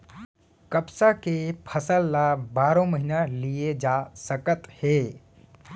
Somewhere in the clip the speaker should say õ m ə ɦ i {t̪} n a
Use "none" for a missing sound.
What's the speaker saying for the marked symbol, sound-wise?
none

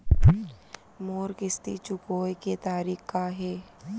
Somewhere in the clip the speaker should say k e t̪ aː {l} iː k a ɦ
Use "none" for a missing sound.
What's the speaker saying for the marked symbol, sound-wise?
ɾ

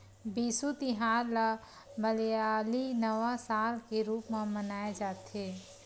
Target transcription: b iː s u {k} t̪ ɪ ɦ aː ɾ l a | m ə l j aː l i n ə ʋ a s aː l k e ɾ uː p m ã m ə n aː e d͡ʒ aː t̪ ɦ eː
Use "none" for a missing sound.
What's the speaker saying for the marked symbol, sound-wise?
none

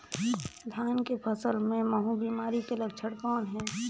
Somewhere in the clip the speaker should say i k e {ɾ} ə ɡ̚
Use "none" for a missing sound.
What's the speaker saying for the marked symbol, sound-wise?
l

